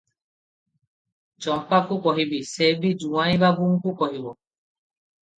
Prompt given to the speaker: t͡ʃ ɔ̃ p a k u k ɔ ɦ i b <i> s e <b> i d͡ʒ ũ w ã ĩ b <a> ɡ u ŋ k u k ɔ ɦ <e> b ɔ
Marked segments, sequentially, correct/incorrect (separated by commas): correct, correct, correct, incorrect